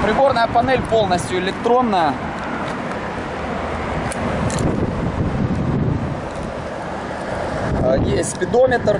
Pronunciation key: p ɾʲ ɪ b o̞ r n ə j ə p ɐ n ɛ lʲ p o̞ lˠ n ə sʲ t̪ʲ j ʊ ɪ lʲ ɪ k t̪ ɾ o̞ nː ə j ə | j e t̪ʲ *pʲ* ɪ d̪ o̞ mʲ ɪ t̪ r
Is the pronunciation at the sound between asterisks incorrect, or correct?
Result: correct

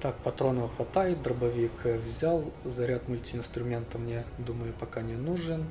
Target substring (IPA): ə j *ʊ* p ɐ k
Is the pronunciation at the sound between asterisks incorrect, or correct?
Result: correct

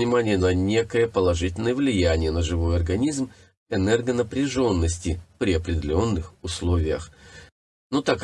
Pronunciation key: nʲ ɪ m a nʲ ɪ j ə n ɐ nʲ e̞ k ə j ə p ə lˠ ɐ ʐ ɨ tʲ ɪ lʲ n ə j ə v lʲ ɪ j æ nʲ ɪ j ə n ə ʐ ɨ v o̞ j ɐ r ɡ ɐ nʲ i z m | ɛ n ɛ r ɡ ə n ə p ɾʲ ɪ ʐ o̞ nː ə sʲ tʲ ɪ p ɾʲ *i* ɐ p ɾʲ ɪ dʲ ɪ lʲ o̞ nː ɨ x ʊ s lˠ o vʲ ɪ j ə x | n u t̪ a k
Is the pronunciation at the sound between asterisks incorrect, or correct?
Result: incorrect: ɪ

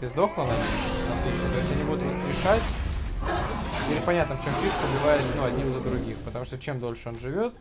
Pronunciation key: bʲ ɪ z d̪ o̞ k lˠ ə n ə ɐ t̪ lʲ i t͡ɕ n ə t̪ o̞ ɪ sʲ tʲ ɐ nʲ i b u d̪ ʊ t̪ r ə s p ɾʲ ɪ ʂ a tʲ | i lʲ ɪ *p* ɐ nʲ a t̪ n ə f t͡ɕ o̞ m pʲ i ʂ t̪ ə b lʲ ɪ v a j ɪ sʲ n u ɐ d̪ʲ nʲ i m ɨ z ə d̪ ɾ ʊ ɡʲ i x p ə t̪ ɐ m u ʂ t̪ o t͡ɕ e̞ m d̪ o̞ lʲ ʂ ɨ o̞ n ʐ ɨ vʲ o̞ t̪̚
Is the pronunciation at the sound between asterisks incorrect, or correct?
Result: correct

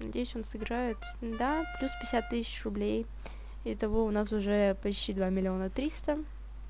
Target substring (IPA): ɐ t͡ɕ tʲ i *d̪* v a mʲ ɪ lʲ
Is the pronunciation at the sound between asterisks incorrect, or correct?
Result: correct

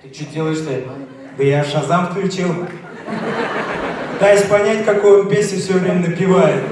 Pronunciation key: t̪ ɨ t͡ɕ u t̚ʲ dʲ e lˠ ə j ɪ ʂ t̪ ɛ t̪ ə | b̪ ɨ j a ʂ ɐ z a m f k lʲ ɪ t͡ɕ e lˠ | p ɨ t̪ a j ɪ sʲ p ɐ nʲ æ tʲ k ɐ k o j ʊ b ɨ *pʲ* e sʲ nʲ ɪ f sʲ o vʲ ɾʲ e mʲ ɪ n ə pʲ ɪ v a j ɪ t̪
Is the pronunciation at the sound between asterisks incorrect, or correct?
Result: correct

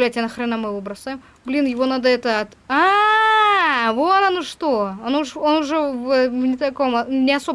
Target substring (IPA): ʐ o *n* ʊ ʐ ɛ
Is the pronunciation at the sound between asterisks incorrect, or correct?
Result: correct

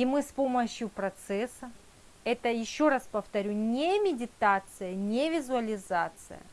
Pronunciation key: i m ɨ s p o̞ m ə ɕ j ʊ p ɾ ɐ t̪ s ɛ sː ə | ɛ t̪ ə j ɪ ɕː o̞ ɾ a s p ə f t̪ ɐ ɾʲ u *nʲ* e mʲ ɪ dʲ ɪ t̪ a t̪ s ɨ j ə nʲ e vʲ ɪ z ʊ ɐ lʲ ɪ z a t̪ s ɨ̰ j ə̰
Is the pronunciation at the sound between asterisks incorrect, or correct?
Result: correct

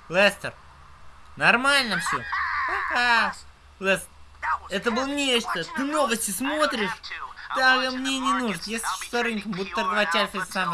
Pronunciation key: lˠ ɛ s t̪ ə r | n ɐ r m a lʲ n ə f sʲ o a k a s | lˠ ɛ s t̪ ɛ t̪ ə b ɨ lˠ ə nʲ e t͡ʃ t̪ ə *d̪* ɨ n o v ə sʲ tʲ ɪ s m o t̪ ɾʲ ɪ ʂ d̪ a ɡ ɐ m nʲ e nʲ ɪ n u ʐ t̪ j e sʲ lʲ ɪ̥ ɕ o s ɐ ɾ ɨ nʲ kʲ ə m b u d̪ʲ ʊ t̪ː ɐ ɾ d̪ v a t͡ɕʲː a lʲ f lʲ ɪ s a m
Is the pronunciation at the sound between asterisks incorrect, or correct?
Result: incorrect: t̪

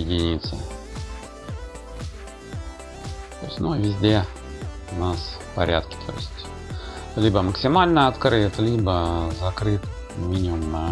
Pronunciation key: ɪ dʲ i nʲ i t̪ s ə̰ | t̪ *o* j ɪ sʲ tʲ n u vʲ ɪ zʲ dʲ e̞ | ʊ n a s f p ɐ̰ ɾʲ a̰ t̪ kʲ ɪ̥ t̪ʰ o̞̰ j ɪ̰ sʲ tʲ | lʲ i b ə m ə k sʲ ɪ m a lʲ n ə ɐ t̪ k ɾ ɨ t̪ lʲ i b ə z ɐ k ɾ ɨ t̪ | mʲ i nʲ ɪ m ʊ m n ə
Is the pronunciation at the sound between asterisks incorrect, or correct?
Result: correct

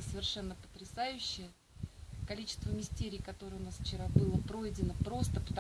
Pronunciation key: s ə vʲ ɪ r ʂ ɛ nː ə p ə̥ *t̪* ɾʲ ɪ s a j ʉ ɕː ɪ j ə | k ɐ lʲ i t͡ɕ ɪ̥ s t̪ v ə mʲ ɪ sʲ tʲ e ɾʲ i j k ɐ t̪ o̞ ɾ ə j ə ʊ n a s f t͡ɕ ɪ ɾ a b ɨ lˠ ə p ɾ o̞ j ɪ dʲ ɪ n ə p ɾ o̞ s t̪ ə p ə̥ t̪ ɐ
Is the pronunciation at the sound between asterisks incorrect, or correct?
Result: correct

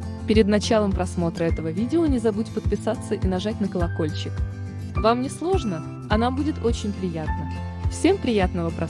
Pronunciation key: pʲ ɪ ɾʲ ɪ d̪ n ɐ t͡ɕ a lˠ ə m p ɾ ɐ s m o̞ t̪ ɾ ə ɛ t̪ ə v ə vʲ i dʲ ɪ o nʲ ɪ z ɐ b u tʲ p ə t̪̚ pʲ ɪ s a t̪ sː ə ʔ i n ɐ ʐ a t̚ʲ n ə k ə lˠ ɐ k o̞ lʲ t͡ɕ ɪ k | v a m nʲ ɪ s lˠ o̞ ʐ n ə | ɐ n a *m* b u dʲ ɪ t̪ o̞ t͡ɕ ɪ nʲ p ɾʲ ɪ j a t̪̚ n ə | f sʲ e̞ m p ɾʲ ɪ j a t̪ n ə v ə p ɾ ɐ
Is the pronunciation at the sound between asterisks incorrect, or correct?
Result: correct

